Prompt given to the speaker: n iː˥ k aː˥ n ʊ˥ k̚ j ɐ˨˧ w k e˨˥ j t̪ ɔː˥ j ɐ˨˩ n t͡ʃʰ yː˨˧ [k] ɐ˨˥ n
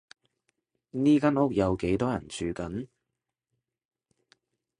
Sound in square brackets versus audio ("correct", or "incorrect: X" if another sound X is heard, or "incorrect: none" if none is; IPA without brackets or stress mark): correct